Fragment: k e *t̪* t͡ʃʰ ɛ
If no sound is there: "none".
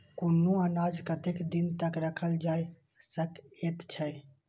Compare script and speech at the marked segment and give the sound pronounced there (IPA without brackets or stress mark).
t̪